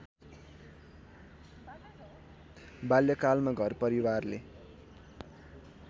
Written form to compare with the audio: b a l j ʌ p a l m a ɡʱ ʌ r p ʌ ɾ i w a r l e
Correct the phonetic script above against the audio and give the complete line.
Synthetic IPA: b a l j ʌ k a l m a ɡʱ ʌ r p ʌ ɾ i w a r l e

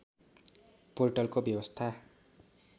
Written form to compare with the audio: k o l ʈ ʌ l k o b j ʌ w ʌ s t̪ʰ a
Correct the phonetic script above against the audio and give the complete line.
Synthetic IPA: p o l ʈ ʌ l k o b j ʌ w ʌ s t̪ʰ a

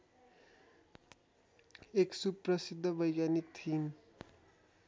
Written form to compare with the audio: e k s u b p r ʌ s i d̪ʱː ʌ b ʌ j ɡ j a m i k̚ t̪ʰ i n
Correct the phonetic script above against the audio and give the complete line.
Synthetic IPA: e k s u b p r ʌ s i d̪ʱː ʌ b ʌ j ɡ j a n i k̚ t̪ʰ i n

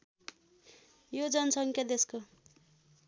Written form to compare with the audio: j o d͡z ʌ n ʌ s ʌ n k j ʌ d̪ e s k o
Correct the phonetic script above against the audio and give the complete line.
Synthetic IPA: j o d͡z ʌ n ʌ s ʌ ŋ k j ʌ d̪ e s k o

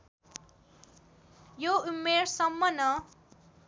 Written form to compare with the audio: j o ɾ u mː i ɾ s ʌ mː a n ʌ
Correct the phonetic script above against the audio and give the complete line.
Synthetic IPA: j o u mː e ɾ s ʌ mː ʌ n ʌ

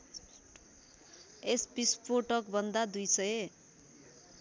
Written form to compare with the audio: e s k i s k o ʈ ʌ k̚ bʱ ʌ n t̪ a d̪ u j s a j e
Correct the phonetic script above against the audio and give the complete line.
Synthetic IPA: e s p i s p o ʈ ʌ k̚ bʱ ʌ n d̪ a d̪ u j s ʌ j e

